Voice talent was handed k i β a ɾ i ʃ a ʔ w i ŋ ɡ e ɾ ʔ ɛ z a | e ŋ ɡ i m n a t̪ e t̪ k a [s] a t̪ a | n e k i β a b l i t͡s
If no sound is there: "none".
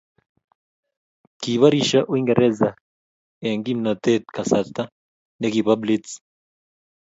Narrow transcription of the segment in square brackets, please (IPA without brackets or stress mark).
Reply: s